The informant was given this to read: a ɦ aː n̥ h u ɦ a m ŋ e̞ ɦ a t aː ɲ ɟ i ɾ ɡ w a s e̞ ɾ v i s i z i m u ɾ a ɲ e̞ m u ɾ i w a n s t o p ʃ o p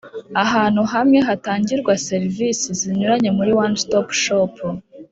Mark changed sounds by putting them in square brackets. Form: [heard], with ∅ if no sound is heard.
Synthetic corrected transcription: a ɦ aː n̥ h u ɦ a m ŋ e̞ ɦ a t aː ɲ ɟ i ɾ ɡ w a s e̞ ɾ v i s i z i [ɲ] u ɾ a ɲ e̞ m u ɾ i w a n s t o p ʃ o p